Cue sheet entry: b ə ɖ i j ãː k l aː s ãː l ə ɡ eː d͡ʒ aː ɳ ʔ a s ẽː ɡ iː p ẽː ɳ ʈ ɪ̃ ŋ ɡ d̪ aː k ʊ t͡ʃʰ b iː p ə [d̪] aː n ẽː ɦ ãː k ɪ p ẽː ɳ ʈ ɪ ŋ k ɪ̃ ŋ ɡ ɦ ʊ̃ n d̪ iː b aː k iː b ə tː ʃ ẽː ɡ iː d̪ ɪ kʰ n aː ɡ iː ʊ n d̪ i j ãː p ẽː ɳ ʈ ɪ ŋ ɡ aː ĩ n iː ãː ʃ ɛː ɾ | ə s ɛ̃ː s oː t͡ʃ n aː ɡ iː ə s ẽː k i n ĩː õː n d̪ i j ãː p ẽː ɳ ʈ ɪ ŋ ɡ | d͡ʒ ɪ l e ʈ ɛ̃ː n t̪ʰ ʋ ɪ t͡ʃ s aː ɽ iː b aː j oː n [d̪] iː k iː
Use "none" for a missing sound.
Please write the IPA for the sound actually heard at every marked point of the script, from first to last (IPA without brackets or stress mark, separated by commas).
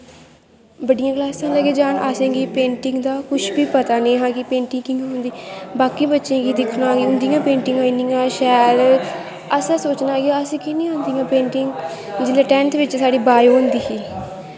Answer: t̪, d̪